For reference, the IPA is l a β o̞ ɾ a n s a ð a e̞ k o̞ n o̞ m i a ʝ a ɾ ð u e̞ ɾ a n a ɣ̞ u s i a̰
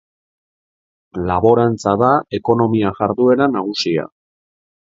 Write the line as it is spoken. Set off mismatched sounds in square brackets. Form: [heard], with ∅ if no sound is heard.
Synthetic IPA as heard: l a β o̞ ɾ a n [t͡s] a ð a e̞ k o̞ n o̞ m i a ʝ a ɾ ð u e̞ ɾ a n a ɣ̞ u s i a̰